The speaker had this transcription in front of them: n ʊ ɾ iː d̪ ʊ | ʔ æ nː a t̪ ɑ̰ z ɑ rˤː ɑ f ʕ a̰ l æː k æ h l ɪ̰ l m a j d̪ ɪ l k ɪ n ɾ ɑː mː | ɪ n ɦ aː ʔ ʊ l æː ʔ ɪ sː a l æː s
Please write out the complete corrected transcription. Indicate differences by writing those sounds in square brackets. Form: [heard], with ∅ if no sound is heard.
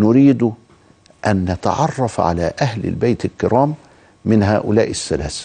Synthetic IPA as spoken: n ʊ ɾ iː d̪ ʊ | ʔ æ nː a t̪ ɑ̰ [ʕ] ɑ rˤː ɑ f ʕ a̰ l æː [ʔ] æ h l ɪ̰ l [b] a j [t̪] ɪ l k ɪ [∅] ɾ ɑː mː | ɪ n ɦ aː ʔ ʊ l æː ʔ ɪ sː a l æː s